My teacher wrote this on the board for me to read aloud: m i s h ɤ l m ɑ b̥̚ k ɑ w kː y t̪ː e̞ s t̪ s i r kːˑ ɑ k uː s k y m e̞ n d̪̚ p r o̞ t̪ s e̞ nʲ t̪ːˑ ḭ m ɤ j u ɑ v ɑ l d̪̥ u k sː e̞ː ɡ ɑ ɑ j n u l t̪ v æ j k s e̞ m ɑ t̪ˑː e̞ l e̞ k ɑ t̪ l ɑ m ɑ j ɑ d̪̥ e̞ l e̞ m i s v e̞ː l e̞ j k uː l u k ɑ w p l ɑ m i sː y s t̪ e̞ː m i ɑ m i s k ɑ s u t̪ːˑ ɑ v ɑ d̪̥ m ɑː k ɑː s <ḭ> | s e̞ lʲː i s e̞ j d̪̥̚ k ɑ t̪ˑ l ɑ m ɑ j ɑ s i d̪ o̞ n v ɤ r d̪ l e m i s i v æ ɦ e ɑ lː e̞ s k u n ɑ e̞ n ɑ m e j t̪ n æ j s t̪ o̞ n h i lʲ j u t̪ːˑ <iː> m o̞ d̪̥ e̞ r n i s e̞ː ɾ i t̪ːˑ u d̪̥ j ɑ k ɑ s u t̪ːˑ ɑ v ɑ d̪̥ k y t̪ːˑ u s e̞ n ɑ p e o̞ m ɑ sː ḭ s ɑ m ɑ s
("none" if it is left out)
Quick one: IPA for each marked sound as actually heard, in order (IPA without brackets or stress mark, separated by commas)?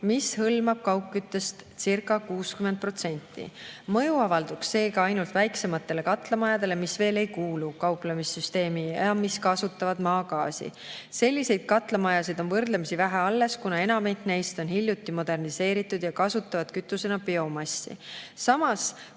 ḭ, i